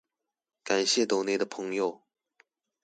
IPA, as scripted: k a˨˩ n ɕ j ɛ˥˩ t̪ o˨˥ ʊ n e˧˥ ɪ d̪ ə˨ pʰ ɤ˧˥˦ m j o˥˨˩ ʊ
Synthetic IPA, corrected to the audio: k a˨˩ n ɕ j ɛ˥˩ t̪ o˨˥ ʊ n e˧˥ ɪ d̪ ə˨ pʰ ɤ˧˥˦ ŋ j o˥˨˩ ʊ